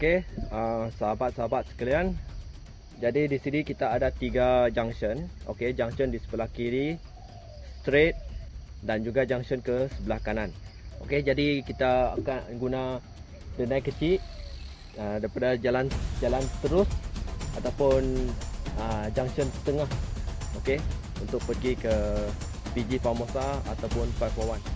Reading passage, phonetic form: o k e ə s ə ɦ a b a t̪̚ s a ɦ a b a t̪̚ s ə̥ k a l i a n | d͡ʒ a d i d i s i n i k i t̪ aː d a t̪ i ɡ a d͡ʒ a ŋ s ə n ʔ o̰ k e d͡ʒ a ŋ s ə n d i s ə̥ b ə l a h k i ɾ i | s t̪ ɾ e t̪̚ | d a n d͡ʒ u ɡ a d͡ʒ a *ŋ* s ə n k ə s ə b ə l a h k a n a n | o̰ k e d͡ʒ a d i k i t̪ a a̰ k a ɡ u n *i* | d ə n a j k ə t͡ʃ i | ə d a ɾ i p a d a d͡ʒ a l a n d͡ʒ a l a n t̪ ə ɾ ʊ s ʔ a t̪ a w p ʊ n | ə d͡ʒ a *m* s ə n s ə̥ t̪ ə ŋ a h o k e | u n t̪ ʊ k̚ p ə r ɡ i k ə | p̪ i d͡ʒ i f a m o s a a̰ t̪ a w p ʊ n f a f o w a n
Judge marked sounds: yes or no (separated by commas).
yes, no, no